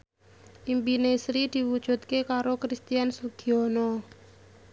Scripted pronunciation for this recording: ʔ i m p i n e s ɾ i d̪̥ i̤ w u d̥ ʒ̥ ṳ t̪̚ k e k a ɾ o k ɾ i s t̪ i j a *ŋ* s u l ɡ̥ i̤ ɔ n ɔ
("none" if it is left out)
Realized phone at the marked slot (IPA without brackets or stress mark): n